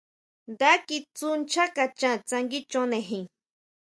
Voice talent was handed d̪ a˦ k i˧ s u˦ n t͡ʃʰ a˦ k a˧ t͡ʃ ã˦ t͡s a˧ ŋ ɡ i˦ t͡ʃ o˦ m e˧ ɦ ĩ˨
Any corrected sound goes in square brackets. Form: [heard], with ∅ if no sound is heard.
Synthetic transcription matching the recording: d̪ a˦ k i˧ [t͡s] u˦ n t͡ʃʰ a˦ k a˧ t͡ʃ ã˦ t͡s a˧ ŋ ɡ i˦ t͡ʃ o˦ [n] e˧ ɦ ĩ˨